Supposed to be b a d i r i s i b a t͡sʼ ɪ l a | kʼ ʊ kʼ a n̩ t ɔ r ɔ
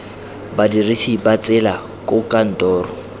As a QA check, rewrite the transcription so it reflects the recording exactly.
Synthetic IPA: b a d i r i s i b a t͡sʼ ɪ l a | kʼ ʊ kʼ a n̩ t ɔː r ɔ